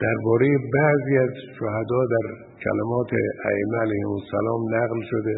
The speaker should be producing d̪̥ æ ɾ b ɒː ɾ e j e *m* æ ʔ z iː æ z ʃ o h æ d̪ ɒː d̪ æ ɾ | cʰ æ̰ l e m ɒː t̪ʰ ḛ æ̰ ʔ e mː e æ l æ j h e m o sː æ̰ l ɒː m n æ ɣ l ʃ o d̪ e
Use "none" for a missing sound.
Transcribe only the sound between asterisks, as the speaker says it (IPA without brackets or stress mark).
b